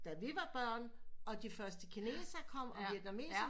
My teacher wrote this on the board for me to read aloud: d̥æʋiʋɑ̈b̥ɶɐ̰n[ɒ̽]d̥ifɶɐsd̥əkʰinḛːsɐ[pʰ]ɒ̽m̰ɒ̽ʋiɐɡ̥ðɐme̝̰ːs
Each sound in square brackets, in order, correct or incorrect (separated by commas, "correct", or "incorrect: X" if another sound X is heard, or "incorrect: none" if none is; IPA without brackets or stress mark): correct, incorrect: kʰ